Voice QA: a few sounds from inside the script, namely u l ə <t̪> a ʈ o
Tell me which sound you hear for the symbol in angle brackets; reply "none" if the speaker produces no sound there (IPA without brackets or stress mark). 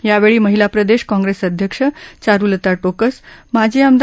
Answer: t̪